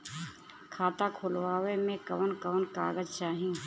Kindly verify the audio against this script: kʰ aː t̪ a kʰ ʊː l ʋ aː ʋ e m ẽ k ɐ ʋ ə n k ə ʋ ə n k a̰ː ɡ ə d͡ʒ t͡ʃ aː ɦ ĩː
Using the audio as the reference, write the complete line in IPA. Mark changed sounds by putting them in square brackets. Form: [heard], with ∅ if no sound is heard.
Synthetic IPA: kʰ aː t̪ a kʰ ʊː l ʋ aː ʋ e m ẽ k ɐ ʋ ə n k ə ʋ ə n k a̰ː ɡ ə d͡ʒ t͡ʃ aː ɦ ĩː